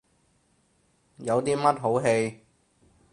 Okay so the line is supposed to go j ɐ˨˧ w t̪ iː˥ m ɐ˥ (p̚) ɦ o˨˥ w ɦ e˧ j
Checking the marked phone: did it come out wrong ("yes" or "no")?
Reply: yes